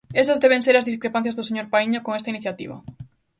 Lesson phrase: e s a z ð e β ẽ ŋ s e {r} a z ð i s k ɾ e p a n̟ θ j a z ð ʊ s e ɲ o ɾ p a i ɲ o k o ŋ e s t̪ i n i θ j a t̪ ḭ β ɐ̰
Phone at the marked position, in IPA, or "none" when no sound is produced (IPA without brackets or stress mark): ɾ